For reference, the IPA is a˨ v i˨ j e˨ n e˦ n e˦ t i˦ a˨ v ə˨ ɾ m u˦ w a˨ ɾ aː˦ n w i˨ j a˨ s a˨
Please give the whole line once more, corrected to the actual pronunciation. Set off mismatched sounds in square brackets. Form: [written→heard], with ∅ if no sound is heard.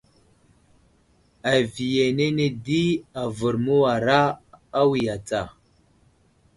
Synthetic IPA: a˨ v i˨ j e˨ n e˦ n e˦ [t→d] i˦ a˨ v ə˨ ɾ m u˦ w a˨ ɾ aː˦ [n→∅] w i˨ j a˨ [s→t͡s] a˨

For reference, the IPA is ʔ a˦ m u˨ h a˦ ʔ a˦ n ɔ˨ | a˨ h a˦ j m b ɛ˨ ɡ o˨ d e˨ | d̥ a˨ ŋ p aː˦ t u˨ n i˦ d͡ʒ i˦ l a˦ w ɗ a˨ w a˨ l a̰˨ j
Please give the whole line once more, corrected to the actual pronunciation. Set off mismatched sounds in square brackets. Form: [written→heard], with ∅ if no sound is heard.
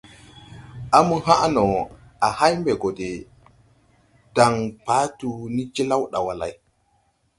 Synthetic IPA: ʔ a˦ m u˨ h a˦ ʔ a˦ n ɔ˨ | a˨ h a˦ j m b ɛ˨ ɡ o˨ d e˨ | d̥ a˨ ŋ p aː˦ t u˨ n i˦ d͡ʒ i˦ l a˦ w ɗ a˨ w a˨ l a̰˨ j

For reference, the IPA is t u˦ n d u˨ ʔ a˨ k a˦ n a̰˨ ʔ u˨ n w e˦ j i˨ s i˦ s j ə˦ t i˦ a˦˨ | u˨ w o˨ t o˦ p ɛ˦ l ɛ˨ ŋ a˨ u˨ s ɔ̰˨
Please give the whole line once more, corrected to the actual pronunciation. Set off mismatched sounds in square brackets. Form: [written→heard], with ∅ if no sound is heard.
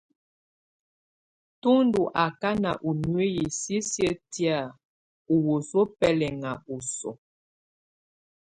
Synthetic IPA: t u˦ n d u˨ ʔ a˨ k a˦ n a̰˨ ʔ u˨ n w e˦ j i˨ s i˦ s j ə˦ t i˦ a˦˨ | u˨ w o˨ [t→s] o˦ p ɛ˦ l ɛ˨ ŋ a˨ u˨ s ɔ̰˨

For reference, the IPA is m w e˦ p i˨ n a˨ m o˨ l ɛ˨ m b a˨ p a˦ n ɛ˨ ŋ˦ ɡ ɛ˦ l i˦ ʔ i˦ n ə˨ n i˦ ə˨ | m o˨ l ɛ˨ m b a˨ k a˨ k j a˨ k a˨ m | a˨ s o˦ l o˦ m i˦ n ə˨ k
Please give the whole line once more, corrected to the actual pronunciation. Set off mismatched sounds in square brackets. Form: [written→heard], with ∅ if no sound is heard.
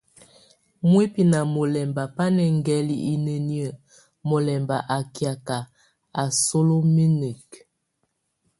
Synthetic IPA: m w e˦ p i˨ n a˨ m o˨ l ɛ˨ m b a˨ p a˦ n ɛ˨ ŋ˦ ɡ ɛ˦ l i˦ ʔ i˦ n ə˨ n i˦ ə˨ | m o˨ l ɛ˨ m b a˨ [k→ʔ] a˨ k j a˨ k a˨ [m→∅] | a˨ s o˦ l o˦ m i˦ n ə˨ k

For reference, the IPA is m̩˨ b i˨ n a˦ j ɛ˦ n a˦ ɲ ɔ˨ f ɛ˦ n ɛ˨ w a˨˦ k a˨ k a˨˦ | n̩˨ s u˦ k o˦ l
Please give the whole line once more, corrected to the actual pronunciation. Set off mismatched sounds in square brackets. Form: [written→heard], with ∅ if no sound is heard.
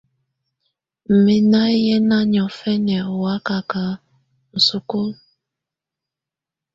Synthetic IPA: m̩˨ [b→m] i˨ n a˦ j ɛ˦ n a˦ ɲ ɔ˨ f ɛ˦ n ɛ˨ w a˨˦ k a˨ k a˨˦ | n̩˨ s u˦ k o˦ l

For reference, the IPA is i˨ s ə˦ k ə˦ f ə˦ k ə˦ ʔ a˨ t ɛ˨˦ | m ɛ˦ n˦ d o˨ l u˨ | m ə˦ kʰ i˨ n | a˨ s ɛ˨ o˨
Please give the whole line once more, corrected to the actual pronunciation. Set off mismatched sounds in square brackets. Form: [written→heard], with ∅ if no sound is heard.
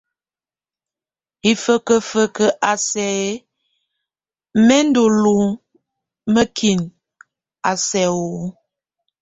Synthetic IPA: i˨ [s→f] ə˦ k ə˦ f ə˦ k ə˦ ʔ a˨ [t→s] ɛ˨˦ | m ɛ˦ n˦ d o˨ l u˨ | m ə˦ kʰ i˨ n | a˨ s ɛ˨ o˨

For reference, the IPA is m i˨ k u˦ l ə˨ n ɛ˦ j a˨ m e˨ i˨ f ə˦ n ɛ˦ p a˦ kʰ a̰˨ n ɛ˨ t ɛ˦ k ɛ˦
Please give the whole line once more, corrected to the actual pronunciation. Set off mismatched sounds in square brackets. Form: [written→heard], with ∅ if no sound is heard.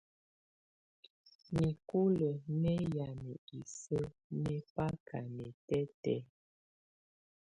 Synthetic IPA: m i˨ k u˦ l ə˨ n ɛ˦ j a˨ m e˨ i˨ [f→s] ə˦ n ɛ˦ p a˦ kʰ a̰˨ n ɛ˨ t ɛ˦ [k→t] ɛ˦

